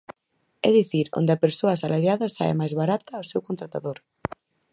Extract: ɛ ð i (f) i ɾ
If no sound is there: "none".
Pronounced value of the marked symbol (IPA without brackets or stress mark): θ